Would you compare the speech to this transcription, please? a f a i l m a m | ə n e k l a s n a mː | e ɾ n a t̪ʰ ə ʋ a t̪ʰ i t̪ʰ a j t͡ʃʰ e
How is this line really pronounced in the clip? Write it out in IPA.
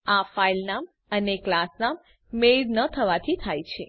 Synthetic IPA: a f a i l n a m | ə n e k l a s n a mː | e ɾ n ə t̪ʰ ə ʋ a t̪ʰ i t̪ʰ a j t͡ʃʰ e